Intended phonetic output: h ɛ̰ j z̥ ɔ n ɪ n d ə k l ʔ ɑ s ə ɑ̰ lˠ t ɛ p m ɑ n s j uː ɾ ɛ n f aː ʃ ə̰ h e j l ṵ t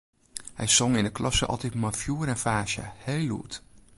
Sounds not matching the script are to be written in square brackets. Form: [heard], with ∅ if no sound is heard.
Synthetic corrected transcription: h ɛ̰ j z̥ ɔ [ŋ] ɪ n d ə k l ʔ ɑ s ə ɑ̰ lˠ t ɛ [t] m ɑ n [f] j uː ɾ ɛ n f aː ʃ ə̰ h e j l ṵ t